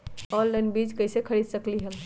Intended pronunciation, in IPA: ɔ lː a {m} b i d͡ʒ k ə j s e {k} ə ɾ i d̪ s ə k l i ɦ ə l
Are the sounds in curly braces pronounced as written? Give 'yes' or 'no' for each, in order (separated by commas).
no, no